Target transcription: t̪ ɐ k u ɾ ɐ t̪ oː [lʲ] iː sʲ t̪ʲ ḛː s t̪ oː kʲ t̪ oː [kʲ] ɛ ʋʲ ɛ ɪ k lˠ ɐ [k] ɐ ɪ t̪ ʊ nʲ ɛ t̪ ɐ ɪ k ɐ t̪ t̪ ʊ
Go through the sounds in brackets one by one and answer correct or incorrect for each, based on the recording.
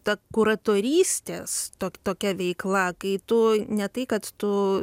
incorrect, correct, correct

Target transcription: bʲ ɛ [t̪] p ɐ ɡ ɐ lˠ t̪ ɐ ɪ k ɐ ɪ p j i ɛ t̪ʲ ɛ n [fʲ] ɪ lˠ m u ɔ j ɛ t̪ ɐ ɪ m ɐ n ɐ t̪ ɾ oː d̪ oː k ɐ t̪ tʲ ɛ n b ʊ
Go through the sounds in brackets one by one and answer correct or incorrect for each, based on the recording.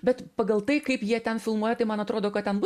correct, correct

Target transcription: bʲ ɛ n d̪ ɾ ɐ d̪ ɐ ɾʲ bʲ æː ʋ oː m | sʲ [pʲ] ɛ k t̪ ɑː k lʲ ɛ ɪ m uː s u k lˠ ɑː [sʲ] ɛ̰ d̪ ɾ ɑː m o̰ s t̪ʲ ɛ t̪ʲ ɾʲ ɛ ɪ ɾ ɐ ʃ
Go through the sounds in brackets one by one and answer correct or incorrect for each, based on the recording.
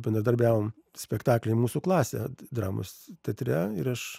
correct, correct

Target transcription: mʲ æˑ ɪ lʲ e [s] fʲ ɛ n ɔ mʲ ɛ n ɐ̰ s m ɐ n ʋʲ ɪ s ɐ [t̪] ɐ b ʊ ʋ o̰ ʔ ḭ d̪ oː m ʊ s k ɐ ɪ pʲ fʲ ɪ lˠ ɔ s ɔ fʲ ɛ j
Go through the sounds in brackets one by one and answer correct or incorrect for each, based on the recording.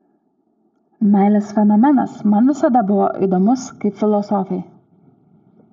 correct, incorrect

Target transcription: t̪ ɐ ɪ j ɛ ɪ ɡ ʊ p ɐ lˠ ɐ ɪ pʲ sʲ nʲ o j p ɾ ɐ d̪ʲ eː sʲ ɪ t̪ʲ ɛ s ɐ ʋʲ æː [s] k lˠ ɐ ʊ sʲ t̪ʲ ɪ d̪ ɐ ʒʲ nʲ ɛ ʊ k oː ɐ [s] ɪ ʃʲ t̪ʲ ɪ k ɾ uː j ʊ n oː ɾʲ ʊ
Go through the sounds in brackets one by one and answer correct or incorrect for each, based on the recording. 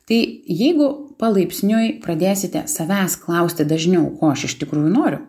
correct, incorrect

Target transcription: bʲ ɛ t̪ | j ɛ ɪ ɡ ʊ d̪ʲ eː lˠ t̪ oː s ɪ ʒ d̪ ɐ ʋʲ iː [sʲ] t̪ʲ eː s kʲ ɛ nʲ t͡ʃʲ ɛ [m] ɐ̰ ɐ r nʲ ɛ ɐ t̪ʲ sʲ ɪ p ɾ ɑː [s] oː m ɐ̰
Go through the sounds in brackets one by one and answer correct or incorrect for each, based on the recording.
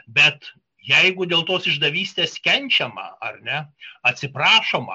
correct, correct, incorrect

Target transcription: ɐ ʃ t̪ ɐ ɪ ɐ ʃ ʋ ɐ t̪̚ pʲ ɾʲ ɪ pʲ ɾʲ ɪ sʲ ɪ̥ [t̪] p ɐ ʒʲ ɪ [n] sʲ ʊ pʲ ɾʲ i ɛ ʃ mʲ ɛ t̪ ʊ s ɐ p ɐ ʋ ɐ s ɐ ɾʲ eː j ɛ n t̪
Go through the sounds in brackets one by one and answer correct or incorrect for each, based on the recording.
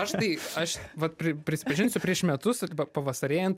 incorrect, correct

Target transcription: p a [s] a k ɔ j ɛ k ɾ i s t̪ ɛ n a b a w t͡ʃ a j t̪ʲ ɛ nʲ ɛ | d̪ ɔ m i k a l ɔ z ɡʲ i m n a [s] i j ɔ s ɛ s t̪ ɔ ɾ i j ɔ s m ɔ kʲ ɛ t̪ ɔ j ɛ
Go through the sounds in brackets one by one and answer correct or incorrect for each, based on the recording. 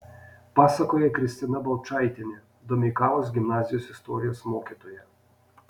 correct, incorrect

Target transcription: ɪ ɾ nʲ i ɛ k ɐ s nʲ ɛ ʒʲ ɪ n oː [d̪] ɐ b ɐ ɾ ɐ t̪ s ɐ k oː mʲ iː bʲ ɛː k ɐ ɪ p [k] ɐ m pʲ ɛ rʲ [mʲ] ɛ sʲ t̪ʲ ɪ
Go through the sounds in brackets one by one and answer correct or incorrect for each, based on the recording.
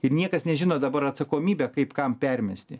correct, correct, correct

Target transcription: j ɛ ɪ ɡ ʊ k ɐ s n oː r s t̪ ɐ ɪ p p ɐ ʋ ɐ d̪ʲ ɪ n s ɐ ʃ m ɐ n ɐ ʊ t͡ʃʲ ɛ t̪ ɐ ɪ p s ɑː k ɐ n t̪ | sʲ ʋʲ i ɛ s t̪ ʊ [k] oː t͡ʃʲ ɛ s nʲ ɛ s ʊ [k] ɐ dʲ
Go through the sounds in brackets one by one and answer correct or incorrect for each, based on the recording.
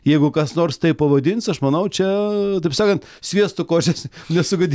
correct, incorrect

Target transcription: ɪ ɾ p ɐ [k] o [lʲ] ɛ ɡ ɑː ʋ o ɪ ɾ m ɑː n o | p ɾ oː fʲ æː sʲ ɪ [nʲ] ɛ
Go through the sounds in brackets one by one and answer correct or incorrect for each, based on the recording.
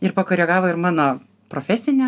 correct, incorrect, correct

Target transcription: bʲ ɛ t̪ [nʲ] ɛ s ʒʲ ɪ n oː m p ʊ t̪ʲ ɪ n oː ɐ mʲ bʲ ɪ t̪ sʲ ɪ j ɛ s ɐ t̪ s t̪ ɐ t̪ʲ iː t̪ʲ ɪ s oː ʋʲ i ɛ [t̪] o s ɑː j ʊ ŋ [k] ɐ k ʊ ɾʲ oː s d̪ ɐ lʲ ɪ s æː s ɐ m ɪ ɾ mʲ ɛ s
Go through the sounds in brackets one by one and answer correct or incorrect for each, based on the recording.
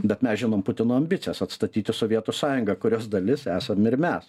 incorrect, correct, incorrect

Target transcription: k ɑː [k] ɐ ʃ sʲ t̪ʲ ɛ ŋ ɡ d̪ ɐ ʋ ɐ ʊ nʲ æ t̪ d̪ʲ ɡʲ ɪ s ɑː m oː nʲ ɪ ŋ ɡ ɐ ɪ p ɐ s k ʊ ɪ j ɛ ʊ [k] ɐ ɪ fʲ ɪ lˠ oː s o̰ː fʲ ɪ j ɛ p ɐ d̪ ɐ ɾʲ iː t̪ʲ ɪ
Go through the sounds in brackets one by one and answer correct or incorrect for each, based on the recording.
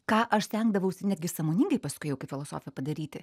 incorrect, correct

